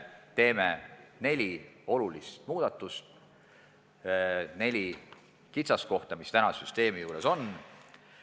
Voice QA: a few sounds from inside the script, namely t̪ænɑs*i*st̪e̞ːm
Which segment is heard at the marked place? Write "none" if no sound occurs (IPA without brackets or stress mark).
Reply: y